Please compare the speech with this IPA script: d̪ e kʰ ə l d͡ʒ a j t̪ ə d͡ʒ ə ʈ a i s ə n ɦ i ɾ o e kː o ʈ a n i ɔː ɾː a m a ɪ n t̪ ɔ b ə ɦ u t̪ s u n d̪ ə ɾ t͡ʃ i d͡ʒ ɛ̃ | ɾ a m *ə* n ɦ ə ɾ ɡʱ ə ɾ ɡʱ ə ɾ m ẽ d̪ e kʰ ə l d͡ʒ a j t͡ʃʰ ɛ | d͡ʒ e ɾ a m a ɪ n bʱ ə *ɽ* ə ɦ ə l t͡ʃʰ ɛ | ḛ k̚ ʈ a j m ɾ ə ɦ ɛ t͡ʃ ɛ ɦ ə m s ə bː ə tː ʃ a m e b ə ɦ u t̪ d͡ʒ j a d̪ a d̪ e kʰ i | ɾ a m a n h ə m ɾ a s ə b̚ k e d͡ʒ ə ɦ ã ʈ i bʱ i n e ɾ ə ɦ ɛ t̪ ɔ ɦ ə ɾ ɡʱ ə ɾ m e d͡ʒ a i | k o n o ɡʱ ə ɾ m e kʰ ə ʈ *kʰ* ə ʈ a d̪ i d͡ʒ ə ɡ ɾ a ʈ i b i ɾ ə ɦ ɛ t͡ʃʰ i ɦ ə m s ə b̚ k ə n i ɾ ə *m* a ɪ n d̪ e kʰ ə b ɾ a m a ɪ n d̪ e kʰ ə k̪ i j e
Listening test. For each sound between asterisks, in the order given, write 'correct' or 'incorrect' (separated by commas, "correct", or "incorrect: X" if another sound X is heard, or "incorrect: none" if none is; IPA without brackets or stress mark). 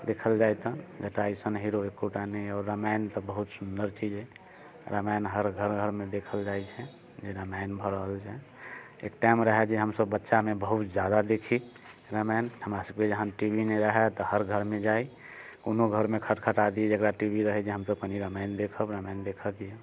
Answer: incorrect: a, incorrect: ɾ, correct, correct